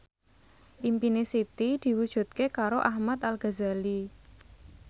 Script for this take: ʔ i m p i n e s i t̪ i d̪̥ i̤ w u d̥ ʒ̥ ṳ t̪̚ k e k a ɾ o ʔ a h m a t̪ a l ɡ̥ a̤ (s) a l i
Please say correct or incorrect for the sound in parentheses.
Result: incorrect